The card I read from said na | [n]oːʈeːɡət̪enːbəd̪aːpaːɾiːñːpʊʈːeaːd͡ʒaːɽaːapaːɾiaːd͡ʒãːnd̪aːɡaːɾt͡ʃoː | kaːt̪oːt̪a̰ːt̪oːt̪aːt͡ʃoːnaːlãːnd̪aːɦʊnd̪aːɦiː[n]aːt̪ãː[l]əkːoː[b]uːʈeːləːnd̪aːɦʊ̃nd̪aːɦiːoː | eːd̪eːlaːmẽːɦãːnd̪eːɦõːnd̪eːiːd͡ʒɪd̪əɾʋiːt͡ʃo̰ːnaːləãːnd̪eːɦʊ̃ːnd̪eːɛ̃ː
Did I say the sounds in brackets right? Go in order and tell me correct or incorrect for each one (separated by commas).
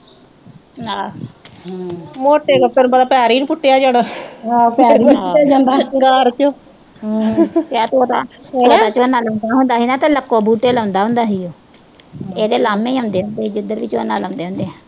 incorrect, correct, correct, correct